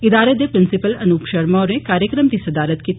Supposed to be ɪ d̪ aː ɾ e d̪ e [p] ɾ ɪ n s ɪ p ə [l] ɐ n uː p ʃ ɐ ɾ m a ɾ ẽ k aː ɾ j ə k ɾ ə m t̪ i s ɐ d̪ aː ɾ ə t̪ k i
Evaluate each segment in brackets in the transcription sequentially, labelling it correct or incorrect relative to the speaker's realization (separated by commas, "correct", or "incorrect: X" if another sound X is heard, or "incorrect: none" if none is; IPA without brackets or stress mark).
correct, correct